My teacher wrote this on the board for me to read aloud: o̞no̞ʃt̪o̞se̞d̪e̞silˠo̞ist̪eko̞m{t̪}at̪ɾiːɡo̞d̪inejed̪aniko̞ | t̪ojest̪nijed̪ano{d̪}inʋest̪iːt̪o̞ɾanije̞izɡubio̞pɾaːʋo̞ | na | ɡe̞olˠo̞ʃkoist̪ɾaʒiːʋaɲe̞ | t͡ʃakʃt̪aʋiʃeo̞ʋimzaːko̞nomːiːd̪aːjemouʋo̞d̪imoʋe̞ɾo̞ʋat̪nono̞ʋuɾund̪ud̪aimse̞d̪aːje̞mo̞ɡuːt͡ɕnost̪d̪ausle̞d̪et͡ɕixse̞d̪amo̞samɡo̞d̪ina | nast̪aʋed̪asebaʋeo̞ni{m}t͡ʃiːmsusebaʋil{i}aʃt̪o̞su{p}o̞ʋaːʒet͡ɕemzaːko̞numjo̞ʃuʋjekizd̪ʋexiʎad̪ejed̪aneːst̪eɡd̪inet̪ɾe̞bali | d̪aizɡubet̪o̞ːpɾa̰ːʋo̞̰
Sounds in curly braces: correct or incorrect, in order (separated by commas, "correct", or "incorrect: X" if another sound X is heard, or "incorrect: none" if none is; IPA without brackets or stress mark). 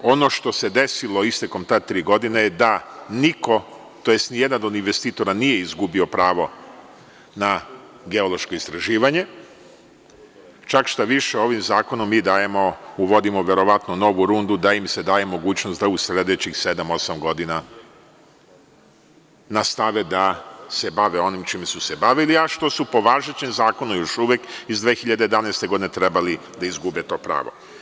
correct, correct, correct, correct, correct